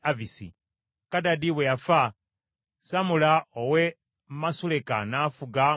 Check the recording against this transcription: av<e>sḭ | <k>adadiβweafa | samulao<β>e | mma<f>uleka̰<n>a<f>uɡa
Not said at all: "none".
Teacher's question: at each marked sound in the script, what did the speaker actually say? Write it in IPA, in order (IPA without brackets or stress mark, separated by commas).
i, k, w, s, n, f